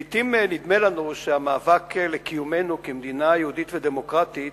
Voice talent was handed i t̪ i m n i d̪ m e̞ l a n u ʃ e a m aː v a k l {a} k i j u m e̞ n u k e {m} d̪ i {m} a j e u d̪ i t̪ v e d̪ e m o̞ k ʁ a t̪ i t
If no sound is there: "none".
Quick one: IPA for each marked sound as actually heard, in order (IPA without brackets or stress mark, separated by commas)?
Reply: e, m, n